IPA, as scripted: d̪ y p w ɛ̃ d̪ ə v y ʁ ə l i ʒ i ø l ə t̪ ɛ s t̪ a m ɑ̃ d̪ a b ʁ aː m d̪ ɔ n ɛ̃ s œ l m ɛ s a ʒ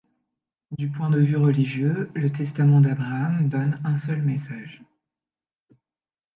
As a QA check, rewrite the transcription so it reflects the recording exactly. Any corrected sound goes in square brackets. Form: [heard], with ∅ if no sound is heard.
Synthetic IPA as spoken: d̪ y p w ɛ̃ d̪ ə v y ʁ ə l i ʒ [j] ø l ə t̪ ɛ s t̪ a m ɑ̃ d̪ a b ʁ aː m d̪ ɔ n ɛ̃ s œ l m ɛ s a ʒ